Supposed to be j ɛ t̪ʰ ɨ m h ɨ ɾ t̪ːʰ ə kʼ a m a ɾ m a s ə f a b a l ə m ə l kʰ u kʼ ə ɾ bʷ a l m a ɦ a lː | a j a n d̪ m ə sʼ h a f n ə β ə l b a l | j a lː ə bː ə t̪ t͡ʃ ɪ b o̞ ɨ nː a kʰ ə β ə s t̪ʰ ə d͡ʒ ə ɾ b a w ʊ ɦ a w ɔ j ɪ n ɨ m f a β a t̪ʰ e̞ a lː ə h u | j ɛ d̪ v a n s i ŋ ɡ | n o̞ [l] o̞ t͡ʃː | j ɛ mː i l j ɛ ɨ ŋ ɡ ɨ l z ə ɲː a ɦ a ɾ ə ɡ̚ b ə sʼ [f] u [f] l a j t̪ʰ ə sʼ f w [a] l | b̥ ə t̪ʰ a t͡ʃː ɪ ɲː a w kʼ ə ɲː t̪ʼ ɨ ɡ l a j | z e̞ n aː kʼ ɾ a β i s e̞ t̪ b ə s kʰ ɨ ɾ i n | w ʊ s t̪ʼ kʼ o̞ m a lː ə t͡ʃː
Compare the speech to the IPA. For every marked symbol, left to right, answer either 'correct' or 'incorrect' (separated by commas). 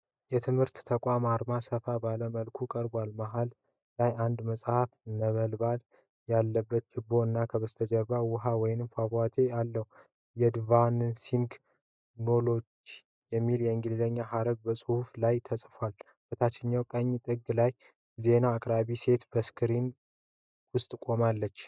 correct, incorrect, correct, correct